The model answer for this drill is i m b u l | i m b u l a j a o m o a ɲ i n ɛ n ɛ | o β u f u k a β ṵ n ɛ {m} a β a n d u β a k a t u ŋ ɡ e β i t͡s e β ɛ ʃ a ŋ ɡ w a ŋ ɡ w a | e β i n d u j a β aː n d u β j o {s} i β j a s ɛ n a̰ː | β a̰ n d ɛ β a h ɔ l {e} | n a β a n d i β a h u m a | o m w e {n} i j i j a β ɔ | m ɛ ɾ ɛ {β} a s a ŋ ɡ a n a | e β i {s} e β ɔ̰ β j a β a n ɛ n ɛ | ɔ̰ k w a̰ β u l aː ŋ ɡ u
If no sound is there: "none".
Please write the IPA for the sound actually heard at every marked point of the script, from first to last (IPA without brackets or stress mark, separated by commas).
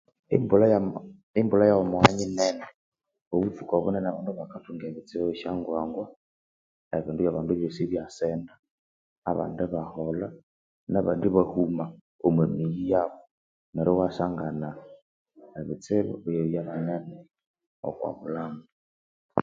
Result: n, s, a, m, w, t͡s